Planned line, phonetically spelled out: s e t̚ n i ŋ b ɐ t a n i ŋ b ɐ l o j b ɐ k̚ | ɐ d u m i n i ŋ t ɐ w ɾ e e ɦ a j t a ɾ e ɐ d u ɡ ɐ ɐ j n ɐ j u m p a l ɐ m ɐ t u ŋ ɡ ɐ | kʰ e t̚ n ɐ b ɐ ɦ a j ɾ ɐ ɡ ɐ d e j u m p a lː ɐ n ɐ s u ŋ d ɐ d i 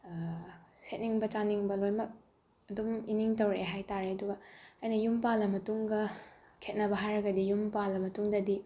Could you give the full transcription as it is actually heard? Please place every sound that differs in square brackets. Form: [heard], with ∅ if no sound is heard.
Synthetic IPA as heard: s e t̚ n i ŋ b ɐ [t͡ʃ] a n i ŋ b ɐ l o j [m] ɐ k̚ | ɐ d u m i n i ŋ t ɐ w ɾ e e ɦ a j t a ɾ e ɐ d u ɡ ɐ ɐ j n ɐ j u m p a l ɐ m ɐ t u ŋ ɡ ɐ | kʰ e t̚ n ɐ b ɐ ɦ a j ɾ ɐ ɡ ɐ d [i] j u m p a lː ɐ [m] ɐ [t] u ŋ d ɐ d i